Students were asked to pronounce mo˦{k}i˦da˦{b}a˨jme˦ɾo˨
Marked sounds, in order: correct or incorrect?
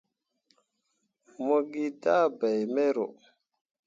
incorrect: ɡ, correct

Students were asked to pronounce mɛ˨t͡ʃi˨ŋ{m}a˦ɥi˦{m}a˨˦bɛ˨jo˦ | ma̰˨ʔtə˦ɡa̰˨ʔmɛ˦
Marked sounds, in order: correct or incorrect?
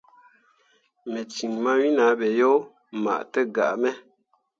correct, incorrect: n

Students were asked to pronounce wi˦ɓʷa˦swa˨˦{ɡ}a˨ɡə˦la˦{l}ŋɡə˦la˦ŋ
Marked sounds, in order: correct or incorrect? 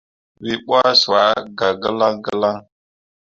correct, incorrect: none

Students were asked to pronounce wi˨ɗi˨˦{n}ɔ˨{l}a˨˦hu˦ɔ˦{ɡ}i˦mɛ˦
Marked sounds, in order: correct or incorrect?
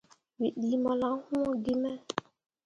incorrect: m, correct, correct

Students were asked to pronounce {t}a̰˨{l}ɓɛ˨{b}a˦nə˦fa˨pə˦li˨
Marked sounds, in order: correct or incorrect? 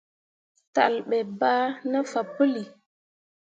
correct, correct, correct

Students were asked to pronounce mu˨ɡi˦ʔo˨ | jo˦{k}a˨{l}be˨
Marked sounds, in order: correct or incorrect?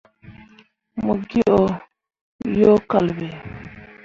correct, correct

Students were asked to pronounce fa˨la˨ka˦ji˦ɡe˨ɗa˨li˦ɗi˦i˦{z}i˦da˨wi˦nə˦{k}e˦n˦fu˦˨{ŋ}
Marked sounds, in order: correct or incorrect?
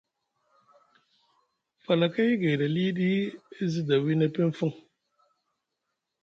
correct, incorrect: p, correct

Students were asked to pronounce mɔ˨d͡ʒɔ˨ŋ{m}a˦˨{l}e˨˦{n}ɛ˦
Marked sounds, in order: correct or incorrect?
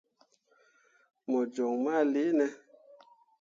correct, correct, correct

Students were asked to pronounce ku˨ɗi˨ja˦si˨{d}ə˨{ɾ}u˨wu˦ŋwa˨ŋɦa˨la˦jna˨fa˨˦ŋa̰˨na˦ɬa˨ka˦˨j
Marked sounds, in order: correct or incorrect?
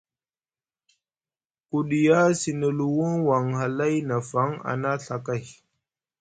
incorrect: n, incorrect: l

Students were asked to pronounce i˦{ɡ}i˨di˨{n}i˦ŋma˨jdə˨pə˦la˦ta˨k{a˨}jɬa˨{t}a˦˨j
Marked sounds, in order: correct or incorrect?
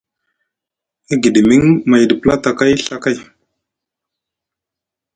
correct, incorrect: m, incorrect: a˦, incorrect: k

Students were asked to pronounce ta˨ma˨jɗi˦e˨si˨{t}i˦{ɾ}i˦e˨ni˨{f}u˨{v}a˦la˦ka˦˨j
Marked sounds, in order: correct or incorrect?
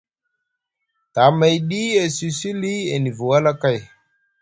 incorrect: s, incorrect: l, incorrect: v, incorrect: w

